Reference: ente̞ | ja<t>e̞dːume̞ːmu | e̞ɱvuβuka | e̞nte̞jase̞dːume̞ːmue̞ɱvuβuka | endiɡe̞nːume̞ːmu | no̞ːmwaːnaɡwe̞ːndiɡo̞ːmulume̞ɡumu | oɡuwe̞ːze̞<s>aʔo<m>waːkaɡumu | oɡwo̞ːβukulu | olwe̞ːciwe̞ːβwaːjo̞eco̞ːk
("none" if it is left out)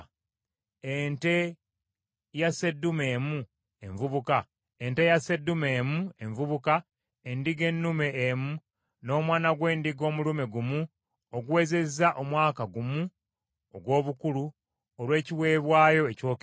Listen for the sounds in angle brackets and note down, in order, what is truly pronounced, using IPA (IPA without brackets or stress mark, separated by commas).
s, z, m